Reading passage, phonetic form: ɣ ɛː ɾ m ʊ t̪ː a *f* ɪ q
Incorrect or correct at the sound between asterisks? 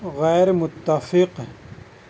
correct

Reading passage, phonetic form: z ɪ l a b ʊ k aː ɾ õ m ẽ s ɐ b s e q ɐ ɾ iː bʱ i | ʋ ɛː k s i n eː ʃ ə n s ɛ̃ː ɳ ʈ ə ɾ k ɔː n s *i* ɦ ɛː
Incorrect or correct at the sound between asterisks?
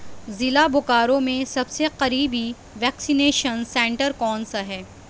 incorrect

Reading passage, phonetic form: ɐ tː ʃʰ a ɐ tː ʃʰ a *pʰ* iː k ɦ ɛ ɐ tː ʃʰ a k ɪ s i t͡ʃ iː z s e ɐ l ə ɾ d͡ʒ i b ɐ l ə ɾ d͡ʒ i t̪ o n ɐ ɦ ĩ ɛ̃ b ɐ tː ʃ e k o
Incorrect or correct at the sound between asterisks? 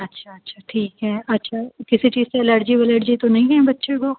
incorrect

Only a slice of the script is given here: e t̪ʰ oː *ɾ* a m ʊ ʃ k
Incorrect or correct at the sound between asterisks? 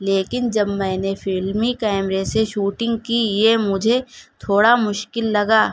incorrect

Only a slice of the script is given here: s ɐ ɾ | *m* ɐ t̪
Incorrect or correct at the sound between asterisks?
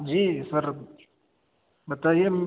incorrect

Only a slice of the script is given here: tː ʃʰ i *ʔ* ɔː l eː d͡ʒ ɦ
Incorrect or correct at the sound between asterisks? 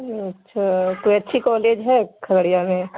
incorrect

